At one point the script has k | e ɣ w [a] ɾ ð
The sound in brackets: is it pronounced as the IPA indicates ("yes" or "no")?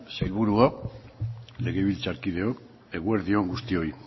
no